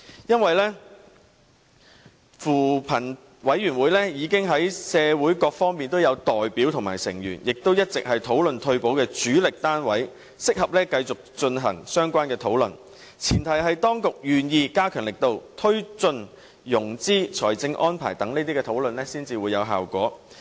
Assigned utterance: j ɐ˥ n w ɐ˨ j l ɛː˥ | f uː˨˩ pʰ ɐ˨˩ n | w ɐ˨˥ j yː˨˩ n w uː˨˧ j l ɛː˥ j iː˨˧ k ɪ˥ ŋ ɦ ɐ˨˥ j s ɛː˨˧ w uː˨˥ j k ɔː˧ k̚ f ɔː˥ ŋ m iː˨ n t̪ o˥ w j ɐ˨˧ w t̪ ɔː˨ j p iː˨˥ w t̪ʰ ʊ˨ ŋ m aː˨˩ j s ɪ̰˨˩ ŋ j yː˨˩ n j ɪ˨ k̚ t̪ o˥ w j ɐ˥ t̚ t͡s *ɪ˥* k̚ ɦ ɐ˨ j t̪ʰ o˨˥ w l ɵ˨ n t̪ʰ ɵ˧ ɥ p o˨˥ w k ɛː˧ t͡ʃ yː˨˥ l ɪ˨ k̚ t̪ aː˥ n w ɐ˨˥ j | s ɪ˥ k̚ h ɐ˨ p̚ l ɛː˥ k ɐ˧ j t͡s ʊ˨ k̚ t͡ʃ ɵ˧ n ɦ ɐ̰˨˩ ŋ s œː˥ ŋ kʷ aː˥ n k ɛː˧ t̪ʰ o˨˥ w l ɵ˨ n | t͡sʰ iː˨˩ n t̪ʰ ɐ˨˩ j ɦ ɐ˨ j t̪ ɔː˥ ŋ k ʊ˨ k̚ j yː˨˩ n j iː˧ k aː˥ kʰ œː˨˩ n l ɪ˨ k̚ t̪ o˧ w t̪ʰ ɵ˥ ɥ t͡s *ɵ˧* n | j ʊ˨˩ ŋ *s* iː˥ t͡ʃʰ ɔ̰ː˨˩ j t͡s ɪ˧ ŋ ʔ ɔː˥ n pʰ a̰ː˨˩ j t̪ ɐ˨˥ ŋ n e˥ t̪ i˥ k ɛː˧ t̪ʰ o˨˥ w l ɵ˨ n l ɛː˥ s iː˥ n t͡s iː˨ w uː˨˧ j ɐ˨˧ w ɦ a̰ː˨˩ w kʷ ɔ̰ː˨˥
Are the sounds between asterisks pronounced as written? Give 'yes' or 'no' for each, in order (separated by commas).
no, yes, no